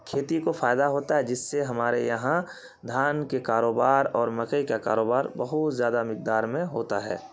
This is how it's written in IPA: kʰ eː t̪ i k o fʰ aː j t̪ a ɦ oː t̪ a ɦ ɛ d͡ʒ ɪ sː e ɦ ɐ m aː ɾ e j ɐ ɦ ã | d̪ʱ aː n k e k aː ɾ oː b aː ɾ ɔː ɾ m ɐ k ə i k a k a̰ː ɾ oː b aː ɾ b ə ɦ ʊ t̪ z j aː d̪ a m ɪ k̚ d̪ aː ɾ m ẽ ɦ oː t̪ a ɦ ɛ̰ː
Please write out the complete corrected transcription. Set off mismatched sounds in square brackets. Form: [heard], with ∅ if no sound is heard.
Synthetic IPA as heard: kʰ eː t̪ i k o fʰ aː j [d̪] a ɦ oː t̪ a ɦ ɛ d͡ʒ ɪ sː e ɦ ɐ m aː ɾ e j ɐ ɦ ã | d̪ʱ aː n k e k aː ɾ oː b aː ɾ ɔː ɾ m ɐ k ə i k a k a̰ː ɾ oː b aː ɾ b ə ɦ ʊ t̪ z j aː d̪ a m ɪ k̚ d̪ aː ɾ m ẽ ɦ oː t̪ a ɦ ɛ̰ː